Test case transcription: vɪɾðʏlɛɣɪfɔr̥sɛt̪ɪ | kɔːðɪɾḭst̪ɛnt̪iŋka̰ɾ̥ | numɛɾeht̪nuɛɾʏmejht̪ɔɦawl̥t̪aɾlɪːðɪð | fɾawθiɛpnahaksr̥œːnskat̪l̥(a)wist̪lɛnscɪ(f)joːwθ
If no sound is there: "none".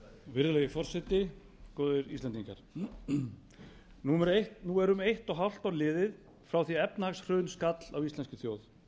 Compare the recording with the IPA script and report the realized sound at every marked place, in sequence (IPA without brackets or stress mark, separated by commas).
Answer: a, θ